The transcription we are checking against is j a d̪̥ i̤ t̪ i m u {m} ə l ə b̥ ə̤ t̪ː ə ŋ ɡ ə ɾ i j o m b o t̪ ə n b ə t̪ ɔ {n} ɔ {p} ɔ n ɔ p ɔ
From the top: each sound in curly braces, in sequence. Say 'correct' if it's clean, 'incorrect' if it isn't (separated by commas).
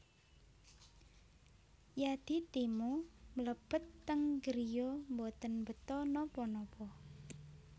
correct, correct, correct